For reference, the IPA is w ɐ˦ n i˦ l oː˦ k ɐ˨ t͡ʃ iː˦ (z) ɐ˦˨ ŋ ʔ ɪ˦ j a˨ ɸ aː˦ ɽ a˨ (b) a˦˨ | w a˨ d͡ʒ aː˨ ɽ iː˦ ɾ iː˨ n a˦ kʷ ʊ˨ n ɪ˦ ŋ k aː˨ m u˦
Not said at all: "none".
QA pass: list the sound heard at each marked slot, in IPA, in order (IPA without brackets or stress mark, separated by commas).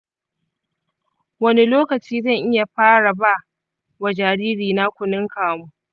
z, b